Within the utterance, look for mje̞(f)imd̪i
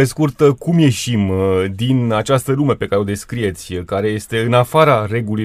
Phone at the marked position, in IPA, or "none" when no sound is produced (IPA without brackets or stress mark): ʃ